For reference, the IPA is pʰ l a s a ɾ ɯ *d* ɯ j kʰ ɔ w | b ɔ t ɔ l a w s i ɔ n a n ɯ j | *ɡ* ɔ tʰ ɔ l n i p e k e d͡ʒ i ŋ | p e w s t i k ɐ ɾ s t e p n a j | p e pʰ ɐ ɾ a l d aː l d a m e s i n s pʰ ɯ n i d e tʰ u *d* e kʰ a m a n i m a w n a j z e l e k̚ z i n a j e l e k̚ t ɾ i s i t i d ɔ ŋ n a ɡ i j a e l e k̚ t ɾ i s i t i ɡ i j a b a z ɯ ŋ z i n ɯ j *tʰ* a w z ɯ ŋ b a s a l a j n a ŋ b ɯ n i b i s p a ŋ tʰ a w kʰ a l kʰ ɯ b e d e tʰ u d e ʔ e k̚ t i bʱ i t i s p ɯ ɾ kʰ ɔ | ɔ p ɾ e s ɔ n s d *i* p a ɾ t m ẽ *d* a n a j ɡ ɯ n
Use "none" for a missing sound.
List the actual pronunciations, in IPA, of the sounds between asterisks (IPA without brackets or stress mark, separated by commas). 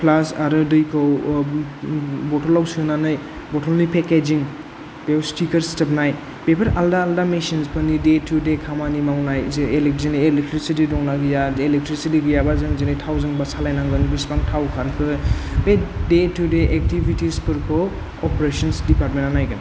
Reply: d, b, d, tʰ, i, n